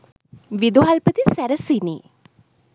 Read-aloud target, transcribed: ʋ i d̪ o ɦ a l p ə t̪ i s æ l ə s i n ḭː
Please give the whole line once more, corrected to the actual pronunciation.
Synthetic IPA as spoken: ʋ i d̪ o ɦ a l p ə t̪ i s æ ɾ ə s i n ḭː